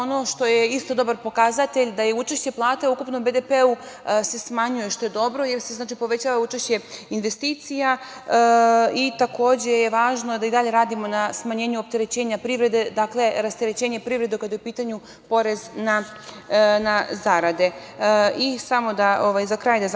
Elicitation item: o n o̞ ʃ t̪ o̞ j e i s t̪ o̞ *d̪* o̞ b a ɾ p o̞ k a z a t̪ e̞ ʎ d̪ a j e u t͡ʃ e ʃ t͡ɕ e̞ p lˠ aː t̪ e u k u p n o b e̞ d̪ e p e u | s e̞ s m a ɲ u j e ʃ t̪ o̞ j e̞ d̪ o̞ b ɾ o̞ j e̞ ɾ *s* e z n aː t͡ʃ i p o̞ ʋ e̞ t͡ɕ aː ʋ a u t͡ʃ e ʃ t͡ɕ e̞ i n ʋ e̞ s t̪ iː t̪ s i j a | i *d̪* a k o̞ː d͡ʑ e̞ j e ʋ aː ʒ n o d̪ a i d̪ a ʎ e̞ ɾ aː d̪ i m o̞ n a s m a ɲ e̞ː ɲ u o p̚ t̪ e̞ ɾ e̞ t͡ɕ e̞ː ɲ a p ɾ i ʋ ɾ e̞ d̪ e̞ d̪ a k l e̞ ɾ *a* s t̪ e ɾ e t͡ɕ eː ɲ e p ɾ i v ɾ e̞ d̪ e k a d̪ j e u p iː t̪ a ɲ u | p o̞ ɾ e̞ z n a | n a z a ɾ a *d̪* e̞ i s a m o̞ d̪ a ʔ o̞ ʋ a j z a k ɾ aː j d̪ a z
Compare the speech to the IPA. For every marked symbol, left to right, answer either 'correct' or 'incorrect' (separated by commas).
correct, correct, incorrect, correct, correct